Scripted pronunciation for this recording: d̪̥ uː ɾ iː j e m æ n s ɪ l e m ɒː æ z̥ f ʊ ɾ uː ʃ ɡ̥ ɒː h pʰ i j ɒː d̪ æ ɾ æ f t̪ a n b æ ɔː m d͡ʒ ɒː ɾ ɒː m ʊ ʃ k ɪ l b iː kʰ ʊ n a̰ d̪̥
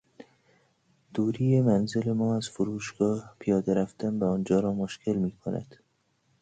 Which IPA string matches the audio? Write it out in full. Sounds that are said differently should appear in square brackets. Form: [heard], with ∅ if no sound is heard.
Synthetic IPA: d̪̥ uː ɾ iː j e m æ n [z] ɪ l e m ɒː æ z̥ f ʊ ɾ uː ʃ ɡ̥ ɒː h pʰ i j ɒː d̪ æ ɾ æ f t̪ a n b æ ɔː [n] d͡ʒ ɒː ɾ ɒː m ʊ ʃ k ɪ l [m] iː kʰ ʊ n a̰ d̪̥